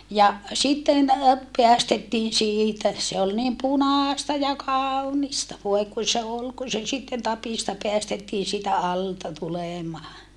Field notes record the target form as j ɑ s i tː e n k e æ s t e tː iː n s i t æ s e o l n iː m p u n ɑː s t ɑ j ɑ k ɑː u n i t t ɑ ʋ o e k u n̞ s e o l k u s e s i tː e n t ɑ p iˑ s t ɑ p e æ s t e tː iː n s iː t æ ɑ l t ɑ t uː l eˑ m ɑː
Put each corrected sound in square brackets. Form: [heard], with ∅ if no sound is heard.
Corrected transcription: j ɑ s i tː e n [p] e æ s t e tː iː n s [iː] t æ s e o l n iː m p u n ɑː s t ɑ j ɑ k ɑː u n i [s] t ɑ ʋ o e k u n̞ s e o l k u s e s i tː e n t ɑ p iˑ s t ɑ p e æ s t e tː iː n s iː t æ ɑ l t ɑ t [u] l eˑ m ɑː